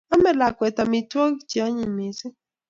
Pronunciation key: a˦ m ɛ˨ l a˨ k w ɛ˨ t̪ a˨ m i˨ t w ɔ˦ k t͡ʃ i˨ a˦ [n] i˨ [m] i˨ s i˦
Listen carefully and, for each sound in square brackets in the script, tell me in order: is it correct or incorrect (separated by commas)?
incorrect, correct